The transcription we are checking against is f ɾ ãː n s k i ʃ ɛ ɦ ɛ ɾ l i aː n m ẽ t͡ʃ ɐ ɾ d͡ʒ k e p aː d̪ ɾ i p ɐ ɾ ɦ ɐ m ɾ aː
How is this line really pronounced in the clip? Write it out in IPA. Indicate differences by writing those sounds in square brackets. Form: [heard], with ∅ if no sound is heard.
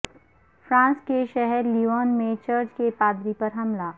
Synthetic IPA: f ɾ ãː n s k [e] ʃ ɛ ɦ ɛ ɾ l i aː n m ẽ t͡ʃ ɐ ɾ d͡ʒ k e p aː d̪ ɾ i p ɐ ɾ ɦ ɐ m [l] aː